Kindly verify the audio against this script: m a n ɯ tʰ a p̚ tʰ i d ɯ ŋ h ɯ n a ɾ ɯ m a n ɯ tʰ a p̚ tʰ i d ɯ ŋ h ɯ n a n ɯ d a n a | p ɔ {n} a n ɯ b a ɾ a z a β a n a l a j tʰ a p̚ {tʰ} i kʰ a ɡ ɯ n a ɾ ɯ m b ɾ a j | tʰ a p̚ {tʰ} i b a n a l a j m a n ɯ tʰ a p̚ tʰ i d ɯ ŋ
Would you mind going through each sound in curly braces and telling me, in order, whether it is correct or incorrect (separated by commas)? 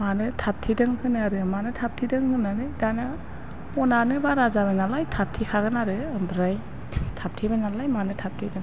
correct, correct, correct